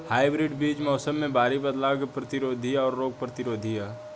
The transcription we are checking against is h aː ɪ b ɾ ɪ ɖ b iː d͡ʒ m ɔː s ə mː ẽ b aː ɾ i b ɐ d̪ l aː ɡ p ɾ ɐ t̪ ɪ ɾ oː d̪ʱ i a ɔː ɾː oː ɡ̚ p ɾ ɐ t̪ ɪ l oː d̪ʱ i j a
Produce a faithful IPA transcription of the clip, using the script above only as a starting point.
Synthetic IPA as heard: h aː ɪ b ɾ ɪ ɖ b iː d͡ʒ m ɔː s ə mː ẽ b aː ɾ i b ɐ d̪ l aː ɡ p ɾ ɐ t̪ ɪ ɾ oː d̪ʱ i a ɔː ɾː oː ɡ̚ p ɾ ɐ t̪ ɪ ɾ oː d̪ʱ i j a